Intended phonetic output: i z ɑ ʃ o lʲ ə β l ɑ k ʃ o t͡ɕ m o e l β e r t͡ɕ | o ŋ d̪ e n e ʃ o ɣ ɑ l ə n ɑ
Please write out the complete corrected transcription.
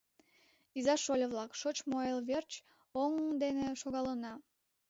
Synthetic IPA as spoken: i z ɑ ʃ o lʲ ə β l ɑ k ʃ o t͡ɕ m o e l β e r t͡ɕ | o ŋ d̪ e n e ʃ o ɣ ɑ l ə n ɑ